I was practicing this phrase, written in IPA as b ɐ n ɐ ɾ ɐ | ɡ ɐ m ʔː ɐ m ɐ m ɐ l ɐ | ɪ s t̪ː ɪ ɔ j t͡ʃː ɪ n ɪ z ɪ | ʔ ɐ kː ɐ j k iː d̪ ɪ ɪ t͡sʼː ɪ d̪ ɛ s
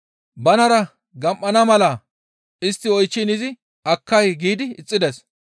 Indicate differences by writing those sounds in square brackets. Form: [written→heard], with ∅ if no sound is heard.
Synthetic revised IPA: b ɐ n ɐ ɾ ɐ | ɡ ɐ m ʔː ɐ [m→n] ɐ m ɐ l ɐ | ɪ s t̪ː ɪ ɔ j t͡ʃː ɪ n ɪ z ɪ | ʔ ɐ kː ɐ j [k→ɡ] iː d̪ ɪ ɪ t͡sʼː ɪ d̪ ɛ s